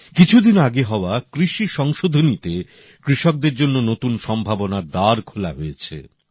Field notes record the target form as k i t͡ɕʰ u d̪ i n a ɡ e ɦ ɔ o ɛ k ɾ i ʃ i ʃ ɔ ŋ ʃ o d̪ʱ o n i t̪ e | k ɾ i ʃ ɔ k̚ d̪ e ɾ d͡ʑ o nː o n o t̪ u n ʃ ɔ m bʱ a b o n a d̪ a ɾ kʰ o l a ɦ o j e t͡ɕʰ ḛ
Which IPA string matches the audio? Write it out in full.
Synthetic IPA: k i t͡ɕʰ u d̪ i n a ɡ e ɦ ɔ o a k ɾ i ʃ i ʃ ɔ ŋ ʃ o d̪ʱ o n i t̪ e | k ɾ i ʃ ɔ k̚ d̪ e ɾ d͡ʑ o nː o n o t̪ u n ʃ ɔ m bʱ a b o n a d̪ a ɾ kʰ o l a ɦ o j e t͡ɕʰ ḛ